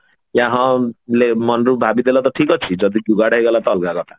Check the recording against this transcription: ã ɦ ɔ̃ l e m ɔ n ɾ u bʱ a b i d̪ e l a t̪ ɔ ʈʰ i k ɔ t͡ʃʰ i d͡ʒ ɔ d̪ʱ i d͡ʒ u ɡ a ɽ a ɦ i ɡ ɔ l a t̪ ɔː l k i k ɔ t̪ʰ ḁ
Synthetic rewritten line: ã ɦ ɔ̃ l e m ɔ n ɾ u bʱ a b i d̪ e l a t̪ ɔ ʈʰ i k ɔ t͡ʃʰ i d͡ʒ ɔ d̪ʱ i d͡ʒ u ɡ a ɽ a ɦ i ɡ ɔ l a t̪ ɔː l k a k ɔ t̪ʰ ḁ